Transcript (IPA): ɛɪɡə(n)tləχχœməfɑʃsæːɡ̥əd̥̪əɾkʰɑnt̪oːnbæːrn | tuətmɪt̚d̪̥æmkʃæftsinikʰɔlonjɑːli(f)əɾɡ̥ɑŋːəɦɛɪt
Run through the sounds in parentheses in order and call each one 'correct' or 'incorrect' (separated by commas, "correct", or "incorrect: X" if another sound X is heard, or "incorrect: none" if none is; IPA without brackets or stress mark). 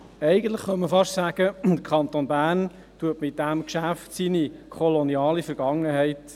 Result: correct, correct